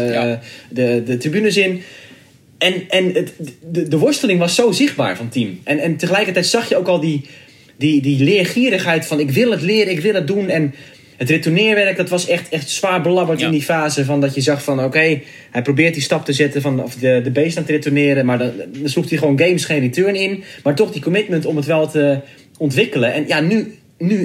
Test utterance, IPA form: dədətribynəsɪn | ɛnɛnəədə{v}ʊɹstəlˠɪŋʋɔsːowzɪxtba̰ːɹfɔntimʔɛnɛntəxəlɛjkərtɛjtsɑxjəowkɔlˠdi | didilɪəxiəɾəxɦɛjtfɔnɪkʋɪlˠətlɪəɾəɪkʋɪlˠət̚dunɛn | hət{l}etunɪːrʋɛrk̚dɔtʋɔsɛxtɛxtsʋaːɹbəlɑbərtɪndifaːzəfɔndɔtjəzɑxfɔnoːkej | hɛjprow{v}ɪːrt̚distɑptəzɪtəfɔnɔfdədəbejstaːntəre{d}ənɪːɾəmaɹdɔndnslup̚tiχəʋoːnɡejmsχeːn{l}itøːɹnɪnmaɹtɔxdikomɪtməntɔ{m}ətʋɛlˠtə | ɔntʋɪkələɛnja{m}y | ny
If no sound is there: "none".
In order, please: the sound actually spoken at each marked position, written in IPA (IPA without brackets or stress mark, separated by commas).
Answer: ʋ, r, b, t, r, m, n